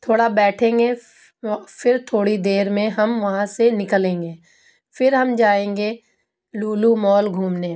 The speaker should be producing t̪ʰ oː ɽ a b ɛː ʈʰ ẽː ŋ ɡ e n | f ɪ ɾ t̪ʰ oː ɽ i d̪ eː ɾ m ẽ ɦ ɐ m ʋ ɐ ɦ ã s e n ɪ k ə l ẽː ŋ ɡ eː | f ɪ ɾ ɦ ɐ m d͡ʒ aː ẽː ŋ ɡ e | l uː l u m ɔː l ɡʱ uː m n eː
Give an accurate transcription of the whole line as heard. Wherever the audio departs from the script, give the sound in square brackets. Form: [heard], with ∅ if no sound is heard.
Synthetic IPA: t̪ʰ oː ɽ a b ɛː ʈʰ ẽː ŋ ɡ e [∅] | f ɪ ɾ t̪ʰ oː ɽ i d̪ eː ɾ m ẽ ɦ ɐ m ʋ ɐ ɦ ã s e n ɪ k ə l ẽː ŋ ɡ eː | f ɪ ɾ ɦ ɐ m d͡ʒ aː ẽː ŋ ɡ e | l uː l u m ɔː l ɡʱ uː m n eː

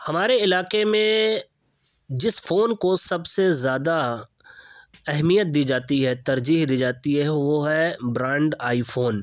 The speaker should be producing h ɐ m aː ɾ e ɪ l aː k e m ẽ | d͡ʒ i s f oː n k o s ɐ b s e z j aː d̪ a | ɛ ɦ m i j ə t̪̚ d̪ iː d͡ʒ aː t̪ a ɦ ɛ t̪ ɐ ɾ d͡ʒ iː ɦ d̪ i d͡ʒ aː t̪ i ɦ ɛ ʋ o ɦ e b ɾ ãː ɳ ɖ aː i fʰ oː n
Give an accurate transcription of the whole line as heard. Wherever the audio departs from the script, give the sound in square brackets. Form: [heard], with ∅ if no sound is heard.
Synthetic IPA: h ɐ m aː ɾ e ɪ l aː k e m ẽ | d͡ʒ [ɪ] s f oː n k o s ɐ b s e z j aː d̪ a | ɛ ɦ m i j ə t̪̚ d̪ iː d͡ʒ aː t̪ [i] ɦ ɛ t̪ ɐ ɾ d͡ʒ iː ɦ d̪ [iː] d͡ʒ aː t̪ i ɦ ɛ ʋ o ɦ [ɛ] b ɾ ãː ɳ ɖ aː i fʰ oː n

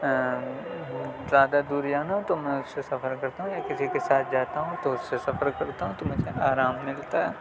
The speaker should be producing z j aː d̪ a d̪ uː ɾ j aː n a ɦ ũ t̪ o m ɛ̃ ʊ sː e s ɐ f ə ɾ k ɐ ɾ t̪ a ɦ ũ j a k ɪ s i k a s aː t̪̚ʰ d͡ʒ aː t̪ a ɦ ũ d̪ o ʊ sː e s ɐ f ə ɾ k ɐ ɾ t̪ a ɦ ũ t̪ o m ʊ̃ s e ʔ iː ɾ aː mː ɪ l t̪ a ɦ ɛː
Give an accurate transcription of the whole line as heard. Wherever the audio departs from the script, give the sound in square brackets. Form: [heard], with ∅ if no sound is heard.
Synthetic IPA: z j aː d̪ a d̪ uː ɾ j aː n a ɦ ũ t̪ o m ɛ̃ ʊ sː e s ɐ f ə ɾ k ɐ ɾ t̪ a ɦ ũ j a k ɪ s i k [e] s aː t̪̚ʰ d͡ʒ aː t̪ a ɦ ũ [t̪] o ʊ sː e s ɐ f ə ɾ k ɐ ɾ t̪ a ɦ ũ t̪ o m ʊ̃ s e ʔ [aː] ɾ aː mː ɪ l t̪ a ɦ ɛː

